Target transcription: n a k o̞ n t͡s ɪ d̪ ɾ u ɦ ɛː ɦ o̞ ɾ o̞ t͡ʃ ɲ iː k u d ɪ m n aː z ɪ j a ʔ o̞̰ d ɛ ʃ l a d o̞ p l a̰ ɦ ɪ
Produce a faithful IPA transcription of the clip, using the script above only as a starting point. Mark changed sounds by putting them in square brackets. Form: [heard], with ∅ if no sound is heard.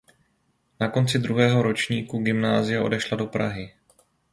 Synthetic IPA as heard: n a k o̞ n t͡s ɪ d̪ ɾ u ɦ ɛː ɦ o̞ ɾ o̞ t͡ʃ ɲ iː k u [ɡ] ɪ m n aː z ɪ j a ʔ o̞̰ d ɛ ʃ l a d o̞ p [ɾ] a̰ ɦ ɪ